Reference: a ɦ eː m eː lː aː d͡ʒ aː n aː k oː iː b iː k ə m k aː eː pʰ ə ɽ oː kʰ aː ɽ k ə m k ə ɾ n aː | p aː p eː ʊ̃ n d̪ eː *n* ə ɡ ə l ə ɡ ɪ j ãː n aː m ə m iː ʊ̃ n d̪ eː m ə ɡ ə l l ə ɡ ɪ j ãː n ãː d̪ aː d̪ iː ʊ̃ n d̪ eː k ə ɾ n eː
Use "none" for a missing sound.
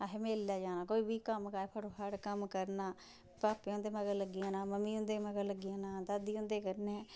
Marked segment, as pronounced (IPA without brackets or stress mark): m